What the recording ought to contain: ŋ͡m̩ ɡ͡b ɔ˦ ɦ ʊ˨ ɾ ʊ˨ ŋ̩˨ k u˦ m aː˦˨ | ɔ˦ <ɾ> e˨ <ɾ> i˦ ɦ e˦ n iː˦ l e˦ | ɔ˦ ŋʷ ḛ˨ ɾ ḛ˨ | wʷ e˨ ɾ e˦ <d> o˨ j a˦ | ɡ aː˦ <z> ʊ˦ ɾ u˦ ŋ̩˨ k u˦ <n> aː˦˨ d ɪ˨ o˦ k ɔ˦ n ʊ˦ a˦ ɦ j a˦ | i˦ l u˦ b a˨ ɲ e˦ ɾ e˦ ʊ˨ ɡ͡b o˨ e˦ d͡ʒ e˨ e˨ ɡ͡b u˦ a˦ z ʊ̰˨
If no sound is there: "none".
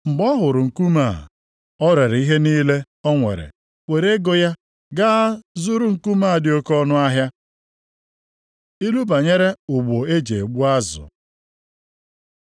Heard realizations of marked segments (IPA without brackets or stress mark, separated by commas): ɾ, ɾ, ɡ, z, m